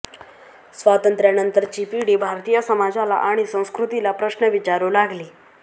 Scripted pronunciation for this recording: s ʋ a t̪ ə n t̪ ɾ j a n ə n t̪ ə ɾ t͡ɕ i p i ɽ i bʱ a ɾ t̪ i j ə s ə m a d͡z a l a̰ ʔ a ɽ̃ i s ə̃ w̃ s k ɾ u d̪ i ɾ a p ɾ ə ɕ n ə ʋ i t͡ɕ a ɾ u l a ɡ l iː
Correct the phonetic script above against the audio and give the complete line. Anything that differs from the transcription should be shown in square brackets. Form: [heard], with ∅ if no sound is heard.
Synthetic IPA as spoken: s ʋ a t̪ ə n t̪ ɾ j a n ə n t̪ ə ɾ t͡ɕ i p i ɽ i bʱ a ɾ t̪ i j ə s ə m a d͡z a l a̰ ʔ a ɽ̃ i s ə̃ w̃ s k ɾ u [t̪] i [l] a p ɾ ə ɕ n ə ʋ i t͡ɕ a ɾ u l a ɡ l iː